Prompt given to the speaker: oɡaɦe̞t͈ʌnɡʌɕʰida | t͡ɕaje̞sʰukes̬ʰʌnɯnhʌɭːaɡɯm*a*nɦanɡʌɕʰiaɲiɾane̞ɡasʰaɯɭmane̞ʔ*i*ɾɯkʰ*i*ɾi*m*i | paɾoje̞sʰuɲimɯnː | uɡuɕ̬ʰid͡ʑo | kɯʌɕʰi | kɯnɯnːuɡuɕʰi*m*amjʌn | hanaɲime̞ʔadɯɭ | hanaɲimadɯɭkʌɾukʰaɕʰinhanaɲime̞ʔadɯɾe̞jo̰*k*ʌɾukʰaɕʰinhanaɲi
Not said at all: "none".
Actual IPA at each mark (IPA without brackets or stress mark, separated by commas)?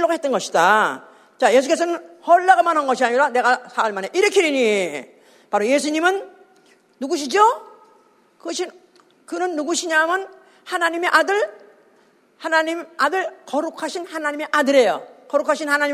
a, i, i, ɲ, ɲ, k